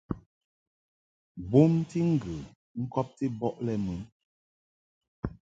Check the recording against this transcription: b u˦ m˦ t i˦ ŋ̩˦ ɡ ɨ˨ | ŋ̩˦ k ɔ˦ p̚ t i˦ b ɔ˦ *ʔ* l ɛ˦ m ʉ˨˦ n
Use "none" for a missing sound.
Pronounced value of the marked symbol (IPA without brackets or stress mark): ʔ